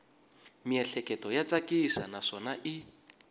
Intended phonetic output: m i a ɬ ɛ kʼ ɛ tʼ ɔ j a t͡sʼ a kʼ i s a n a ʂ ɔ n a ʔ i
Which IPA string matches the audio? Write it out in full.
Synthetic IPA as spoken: m i ɛ ɬ ɛ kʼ ɛ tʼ ɔ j a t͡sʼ a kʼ i s a n a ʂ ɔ n a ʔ i

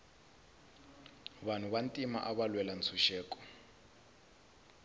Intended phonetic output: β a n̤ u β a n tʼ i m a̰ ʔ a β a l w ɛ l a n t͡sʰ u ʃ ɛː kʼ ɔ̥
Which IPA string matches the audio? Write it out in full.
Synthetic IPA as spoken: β a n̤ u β a n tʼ i m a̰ ʔ a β a l w ɛ l a n t͡sʰ u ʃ ɛː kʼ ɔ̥

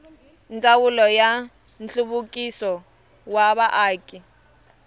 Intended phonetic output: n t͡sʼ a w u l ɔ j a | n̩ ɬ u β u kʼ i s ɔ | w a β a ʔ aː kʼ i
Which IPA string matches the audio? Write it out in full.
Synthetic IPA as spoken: n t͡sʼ a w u l ɔ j a | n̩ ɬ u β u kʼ i s ɔ | w a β a ʔ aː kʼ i

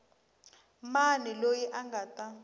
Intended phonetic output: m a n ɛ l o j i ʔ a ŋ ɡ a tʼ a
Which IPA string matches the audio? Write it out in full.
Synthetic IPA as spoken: m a n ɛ l o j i ʔ a ŋ ɡ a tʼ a

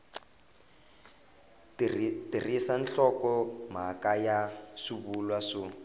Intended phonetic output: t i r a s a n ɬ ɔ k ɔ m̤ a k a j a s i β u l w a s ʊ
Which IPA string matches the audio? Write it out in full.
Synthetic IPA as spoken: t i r i s a n ɬ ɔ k ɔ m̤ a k a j a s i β u l w a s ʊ

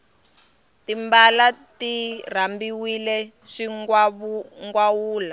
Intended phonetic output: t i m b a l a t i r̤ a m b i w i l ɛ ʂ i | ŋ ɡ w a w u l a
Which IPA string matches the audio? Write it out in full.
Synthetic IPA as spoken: t i m b a l a t i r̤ a m b i w i l ɛ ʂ i | ŋ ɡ w a w uː l a

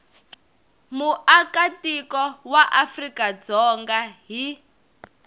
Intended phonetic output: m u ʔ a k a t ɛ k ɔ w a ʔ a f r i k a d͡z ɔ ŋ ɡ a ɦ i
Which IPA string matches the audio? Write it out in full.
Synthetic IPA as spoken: m u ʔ a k a t i k ɔ w a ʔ a f r i k a d͡z ɔ ŋ ɡ a ɦ i

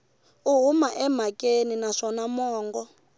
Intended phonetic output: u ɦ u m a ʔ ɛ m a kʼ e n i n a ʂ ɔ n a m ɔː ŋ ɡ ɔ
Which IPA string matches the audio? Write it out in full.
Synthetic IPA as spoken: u ɦ u m a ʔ ɛ m a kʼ e n i n a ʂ ɔ n a m ɔː ŋ ɡ ɔ

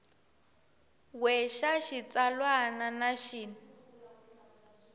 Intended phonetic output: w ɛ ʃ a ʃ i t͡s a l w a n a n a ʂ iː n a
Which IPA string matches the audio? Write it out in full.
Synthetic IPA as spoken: w ɛ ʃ a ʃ i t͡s a l w a n a n a ʃ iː n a

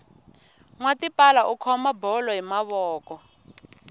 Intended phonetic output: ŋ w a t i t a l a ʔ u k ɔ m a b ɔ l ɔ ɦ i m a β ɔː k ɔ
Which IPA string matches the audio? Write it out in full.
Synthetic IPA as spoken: ŋ w a t i p a l a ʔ u kʰ ɔ m a b ɔ l ɔ ɦ i m a β ɔː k ɔ

